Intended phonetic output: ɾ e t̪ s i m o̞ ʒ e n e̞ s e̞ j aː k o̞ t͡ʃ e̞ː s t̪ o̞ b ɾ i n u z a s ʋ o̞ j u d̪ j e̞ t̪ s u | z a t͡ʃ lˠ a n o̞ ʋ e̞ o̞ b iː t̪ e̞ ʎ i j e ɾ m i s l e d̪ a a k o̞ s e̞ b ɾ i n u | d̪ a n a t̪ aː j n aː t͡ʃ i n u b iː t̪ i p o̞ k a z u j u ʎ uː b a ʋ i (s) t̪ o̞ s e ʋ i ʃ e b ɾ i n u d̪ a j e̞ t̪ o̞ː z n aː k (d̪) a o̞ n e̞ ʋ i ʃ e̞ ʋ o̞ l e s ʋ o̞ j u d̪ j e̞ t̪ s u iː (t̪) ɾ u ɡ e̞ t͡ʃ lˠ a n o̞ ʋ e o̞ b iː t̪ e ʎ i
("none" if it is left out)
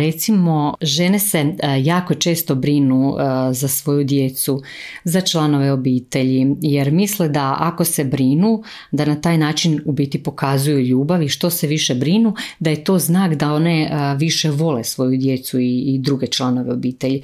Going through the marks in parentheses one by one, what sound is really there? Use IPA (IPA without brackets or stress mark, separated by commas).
ʃ, d̪, d̪